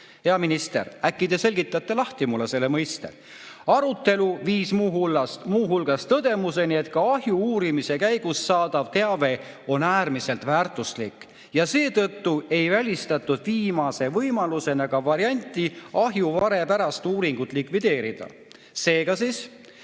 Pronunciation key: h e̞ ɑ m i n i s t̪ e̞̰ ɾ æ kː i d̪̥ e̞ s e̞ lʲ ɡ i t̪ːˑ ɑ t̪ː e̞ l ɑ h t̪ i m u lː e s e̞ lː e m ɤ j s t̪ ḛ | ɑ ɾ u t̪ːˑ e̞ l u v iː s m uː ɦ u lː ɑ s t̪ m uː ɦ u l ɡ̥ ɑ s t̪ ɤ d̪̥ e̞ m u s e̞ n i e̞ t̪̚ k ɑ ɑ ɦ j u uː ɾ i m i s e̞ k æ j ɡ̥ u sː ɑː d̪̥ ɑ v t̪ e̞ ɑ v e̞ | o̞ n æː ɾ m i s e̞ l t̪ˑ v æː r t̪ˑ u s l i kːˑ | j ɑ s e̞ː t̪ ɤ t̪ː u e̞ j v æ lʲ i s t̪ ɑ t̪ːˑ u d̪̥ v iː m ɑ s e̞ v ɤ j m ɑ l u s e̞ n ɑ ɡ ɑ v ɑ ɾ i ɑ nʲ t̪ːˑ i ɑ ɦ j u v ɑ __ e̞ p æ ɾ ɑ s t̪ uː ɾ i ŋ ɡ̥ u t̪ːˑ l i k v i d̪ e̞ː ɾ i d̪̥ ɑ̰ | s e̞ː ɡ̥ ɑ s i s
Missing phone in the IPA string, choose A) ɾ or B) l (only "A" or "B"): A